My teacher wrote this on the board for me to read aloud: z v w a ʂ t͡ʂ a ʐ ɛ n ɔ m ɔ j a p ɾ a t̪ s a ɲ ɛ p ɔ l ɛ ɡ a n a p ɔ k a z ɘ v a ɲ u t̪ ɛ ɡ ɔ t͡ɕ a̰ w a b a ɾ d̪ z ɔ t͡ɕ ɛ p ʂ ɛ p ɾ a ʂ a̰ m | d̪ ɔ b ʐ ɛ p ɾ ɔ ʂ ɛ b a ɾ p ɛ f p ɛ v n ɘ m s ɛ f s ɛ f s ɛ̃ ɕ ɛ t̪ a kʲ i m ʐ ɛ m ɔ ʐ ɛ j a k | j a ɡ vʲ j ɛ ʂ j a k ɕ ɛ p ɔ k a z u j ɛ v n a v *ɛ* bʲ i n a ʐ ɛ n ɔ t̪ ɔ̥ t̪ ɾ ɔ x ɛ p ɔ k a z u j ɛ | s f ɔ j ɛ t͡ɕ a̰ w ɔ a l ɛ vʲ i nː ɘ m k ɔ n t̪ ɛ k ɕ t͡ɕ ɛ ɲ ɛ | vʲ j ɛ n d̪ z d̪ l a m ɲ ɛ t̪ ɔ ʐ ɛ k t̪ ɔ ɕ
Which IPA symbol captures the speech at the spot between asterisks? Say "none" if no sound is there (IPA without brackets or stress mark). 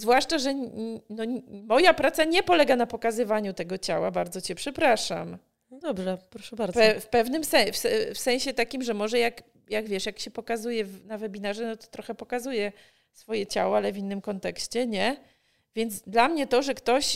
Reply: ɛ